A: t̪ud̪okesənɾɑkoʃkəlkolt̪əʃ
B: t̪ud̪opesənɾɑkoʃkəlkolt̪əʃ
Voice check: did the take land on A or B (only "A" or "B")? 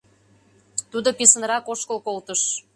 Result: B